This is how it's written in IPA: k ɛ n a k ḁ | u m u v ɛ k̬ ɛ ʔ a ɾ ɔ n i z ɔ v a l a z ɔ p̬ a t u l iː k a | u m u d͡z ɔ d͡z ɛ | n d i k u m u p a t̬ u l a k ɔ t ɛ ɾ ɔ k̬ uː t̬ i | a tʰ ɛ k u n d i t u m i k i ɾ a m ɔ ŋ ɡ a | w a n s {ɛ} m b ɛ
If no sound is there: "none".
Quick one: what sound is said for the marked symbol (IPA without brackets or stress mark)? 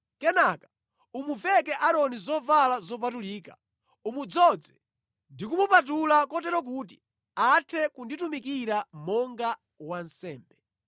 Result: ɛː